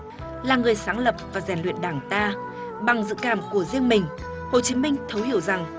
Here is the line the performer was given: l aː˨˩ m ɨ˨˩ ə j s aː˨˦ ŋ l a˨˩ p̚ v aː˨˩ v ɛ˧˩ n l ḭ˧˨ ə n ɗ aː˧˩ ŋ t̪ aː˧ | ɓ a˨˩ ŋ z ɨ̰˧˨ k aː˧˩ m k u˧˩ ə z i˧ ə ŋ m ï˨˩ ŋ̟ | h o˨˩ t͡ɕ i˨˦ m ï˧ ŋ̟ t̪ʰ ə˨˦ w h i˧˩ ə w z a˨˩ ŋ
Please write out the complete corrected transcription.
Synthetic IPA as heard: l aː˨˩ ŋ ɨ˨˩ ə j s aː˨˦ ŋ l ə˨˩ p̚ v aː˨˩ z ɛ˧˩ n l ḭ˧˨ ə n ɗ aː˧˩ ŋ t̪ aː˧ | ɓ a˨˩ ŋ z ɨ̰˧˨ k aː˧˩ m k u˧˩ ə z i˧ ə ŋ m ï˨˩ ŋ̟ | h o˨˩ t͡ɕ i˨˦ m ï˧ ŋ̟ t̪ʰ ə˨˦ w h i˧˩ ə w z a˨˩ ŋ